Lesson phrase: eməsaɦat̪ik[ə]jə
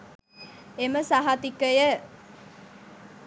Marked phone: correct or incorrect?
correct